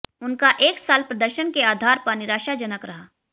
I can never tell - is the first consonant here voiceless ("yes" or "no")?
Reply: no